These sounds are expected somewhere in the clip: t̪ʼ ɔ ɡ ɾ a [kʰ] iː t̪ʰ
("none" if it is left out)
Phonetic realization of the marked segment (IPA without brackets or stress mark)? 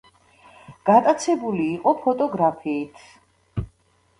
pʰ